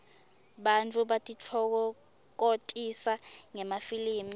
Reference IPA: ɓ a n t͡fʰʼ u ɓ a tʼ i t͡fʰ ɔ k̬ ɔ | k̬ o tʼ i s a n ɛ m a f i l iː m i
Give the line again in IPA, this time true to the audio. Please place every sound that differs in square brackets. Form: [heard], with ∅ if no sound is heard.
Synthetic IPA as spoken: ɓ a n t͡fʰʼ u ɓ a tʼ i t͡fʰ ɔ k̬ ɔ | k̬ o tʼ i s a [ŋ] ɛ m a f i l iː m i